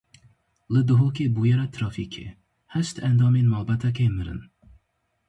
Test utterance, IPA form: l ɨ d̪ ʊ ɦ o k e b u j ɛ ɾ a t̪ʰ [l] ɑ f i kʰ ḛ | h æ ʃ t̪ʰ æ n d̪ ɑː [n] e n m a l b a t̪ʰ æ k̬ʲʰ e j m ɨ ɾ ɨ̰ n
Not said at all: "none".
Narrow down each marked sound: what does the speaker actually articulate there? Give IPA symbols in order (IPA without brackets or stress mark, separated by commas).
ɾ, m